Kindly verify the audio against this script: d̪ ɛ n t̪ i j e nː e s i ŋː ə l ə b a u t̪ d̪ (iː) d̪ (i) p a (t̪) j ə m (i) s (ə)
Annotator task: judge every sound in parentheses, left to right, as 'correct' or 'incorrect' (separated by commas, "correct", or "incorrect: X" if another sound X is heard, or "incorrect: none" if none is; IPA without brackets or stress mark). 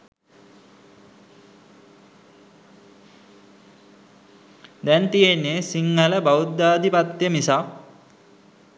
incorrect: aː, correct, correct, correct, incorrect: a